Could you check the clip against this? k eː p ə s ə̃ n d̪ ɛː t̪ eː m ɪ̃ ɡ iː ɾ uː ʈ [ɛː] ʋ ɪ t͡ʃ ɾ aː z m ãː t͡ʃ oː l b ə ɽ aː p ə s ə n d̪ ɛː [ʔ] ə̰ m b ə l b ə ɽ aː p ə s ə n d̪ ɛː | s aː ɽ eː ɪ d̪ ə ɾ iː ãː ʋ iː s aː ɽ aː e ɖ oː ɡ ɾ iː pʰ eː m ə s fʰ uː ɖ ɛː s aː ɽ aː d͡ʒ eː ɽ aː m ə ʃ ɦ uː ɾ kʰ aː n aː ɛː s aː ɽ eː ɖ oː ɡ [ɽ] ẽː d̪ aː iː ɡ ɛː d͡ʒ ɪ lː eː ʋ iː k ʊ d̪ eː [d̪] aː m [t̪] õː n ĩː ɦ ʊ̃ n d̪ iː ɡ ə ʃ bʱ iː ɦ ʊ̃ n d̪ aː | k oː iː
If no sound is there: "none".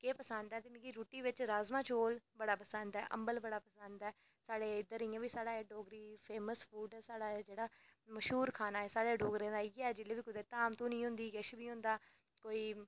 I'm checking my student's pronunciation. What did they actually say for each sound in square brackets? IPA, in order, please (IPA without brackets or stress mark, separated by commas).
iː, ʔ, ɾ, t̪, t̪